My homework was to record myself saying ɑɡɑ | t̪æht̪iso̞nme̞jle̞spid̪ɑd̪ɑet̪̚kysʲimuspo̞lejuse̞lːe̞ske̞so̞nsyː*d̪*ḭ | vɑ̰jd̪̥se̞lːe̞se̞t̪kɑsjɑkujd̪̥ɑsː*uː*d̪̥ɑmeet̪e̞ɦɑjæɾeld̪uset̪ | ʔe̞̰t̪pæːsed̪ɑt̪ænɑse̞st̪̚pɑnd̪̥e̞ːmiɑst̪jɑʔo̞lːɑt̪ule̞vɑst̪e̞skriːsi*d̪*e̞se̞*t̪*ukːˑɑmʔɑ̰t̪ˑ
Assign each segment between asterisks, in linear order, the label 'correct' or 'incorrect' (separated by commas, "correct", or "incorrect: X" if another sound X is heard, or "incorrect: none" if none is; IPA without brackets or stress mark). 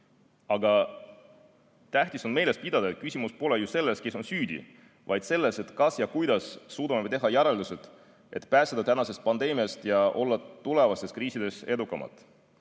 correct, correct, correct, incorrect: d̪